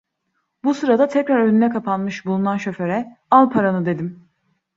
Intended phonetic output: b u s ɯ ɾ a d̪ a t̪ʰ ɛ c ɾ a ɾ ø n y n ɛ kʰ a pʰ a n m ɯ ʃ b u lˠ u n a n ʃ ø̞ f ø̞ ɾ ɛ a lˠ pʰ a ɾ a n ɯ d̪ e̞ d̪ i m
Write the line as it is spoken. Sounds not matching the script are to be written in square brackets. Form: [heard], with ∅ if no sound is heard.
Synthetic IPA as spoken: b u s ɯ ɾ a d̪ a t̪ʰ ɛ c ɾ a ɾ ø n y n ɛ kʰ a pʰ a n m ɯ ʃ b u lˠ u n a n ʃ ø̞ f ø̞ ɾ ɛ a lˠ pʰ a ɾ a n ɯ d̪ e̞ d̪ i m